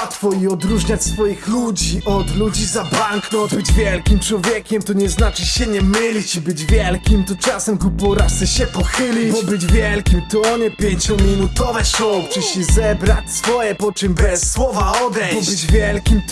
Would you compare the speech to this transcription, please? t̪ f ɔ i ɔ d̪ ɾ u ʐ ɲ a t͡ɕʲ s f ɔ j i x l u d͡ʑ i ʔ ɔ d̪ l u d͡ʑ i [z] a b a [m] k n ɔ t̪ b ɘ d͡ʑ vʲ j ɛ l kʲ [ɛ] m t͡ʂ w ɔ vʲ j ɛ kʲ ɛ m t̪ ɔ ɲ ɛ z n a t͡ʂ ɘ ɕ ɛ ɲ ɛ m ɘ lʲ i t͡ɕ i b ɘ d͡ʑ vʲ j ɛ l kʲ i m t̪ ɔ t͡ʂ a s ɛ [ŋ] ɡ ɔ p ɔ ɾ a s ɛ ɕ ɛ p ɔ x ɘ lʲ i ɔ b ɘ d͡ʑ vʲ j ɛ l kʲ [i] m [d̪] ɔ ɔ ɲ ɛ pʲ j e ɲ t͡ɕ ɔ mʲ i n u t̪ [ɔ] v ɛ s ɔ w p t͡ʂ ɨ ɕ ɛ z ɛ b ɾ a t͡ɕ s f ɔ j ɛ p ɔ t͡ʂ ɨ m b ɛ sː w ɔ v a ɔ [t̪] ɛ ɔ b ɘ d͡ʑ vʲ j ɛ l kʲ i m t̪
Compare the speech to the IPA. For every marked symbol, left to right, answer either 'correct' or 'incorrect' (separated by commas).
correct, incorrect, incorrect, incorrect, correct, incorrect, correct, incorrect